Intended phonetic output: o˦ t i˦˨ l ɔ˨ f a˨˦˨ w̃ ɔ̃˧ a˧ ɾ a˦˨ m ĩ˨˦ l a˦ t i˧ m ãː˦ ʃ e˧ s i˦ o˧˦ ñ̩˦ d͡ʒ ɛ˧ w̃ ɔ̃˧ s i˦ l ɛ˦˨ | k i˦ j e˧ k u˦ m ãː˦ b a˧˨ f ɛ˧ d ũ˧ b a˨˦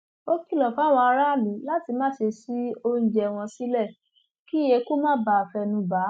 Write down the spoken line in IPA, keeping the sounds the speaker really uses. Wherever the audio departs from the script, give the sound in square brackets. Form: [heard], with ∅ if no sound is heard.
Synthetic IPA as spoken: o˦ [k] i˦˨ l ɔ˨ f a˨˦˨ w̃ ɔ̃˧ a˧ ɾ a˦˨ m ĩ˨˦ l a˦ t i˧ m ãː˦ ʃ e˧ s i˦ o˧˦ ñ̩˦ d͡ʒ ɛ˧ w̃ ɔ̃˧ s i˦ l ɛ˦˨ | k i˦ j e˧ k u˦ m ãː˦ b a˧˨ f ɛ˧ [n] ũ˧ b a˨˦